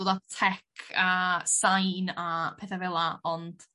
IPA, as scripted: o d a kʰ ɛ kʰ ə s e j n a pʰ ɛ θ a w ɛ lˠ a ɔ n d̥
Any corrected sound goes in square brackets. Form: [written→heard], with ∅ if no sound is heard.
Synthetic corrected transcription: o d a [kʰ→tʰ] ɛ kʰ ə s [e→a] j n a pʰ ɛ θ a [w→v] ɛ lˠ a ɔ n d̥